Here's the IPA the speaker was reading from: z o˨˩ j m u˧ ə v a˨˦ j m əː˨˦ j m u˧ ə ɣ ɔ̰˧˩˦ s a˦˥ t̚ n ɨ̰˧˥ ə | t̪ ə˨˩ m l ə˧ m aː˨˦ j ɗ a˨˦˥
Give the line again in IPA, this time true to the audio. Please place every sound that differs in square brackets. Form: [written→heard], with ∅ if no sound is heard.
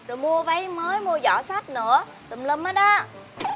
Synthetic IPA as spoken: z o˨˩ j m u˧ ə v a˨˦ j m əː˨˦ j m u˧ ə [ɣ→z] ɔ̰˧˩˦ s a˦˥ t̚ n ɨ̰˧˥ ə | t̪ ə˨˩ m l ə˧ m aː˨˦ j ɗ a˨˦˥